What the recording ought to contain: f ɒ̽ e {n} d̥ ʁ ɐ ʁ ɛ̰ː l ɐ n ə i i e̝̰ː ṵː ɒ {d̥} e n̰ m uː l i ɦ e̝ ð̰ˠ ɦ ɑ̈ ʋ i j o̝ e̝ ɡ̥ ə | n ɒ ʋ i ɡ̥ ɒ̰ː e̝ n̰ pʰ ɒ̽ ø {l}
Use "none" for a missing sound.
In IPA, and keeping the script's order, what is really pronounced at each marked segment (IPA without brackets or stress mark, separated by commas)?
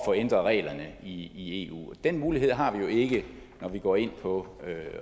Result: n, d̥, none